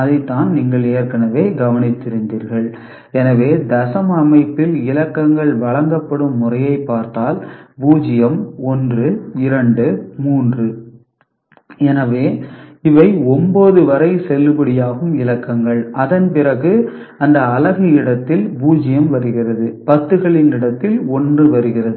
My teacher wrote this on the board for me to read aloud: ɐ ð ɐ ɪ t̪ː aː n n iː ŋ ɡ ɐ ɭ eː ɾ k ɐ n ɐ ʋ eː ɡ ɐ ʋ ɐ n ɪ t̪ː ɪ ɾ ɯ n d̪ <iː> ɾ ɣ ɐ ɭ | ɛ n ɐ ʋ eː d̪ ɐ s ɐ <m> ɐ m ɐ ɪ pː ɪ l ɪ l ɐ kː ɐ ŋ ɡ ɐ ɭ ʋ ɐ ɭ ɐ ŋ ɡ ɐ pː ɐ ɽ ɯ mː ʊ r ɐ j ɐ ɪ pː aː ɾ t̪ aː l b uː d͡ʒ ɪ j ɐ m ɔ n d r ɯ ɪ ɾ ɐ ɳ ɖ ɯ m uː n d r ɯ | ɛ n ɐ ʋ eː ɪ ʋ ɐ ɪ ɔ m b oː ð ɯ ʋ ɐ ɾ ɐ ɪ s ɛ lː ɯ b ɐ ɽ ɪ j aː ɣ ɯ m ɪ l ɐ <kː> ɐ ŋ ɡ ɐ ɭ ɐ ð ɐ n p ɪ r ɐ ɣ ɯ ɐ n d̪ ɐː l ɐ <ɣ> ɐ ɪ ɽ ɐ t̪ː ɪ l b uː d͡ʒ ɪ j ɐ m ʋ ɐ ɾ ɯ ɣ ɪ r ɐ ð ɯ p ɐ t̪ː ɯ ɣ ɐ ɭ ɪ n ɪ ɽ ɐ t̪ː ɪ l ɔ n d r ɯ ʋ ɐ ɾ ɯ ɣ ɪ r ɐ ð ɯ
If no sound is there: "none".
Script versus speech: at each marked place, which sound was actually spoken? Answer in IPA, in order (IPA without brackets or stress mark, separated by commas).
iː, m, kː, ɣ